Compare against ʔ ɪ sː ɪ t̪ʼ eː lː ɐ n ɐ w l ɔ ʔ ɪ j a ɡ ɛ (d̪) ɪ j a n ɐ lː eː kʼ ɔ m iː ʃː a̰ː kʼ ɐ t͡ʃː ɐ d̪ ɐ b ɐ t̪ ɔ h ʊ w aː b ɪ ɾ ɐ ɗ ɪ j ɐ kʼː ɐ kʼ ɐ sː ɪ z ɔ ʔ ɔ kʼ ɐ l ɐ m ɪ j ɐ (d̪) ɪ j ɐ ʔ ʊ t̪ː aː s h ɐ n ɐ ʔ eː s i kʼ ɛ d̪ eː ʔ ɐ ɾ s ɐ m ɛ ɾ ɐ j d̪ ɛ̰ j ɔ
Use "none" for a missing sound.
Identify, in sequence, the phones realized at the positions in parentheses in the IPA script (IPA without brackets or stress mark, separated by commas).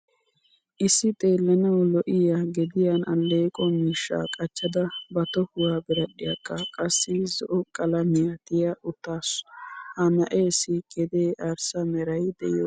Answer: d̪, t̪